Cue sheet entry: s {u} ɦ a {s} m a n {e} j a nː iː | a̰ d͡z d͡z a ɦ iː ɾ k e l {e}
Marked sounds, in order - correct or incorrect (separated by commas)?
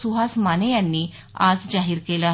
correct, correct, correct, incorrect